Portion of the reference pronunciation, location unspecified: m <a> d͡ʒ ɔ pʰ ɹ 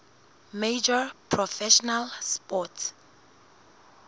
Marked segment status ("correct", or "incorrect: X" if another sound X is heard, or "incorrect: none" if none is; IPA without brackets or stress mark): incorrect: e